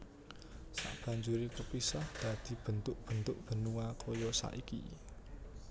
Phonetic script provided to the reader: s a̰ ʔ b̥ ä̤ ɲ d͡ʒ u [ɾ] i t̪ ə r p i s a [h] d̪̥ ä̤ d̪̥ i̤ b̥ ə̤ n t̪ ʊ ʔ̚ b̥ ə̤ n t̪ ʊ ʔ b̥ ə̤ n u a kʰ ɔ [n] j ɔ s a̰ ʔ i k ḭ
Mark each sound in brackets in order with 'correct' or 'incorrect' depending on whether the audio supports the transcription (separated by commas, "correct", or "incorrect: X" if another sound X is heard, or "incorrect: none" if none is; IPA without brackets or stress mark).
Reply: correct, correct, incorrect: none